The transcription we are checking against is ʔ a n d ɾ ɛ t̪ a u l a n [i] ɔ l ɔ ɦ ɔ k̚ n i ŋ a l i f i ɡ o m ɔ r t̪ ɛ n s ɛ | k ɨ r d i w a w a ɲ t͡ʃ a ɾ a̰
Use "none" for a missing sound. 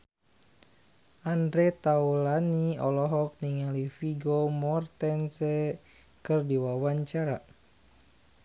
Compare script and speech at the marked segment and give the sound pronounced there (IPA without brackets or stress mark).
i